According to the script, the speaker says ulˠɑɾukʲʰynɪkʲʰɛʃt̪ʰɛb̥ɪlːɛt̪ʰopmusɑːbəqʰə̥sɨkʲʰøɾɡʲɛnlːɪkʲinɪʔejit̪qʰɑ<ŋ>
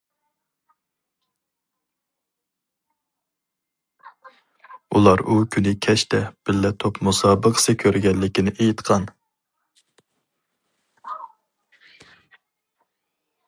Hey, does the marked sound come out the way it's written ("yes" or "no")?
no